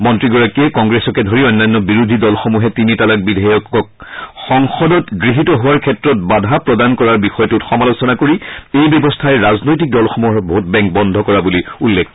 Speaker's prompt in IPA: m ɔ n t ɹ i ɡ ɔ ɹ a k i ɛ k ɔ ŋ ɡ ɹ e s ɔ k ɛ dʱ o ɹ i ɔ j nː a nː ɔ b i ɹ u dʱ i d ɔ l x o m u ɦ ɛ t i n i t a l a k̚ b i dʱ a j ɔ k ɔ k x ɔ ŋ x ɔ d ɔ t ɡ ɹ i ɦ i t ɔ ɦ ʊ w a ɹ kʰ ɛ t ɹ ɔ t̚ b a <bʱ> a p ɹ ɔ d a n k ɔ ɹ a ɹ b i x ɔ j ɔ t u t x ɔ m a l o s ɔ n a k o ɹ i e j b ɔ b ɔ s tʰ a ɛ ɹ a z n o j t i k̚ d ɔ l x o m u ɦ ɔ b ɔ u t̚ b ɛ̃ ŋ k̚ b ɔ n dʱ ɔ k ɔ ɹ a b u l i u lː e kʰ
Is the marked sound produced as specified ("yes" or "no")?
no